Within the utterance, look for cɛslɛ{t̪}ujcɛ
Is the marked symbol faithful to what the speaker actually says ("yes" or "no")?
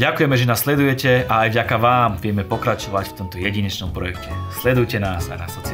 no